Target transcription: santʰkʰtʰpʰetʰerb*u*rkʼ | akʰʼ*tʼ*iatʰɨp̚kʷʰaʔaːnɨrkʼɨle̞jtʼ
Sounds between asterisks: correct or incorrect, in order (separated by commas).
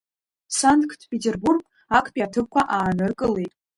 correct, incorrect